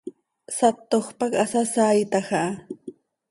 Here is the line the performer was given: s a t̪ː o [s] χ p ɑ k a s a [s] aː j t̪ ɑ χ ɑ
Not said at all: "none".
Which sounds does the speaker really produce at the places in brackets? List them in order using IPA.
none, s

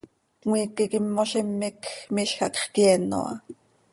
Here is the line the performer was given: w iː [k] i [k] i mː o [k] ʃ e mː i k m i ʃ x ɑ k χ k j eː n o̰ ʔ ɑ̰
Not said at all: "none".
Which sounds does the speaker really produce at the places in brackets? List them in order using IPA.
k, k, none

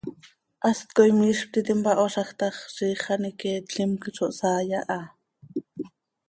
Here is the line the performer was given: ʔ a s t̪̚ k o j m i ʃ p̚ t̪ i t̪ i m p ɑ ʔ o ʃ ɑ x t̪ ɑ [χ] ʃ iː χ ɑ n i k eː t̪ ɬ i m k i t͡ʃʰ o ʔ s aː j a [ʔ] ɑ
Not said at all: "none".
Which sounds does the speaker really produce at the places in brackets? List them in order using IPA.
χ, ʔ

